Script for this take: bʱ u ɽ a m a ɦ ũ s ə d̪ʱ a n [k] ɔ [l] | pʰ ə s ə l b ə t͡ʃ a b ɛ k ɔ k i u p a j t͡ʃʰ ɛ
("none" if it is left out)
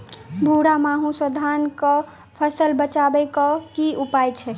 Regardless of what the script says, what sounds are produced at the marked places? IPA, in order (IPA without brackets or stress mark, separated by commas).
k, none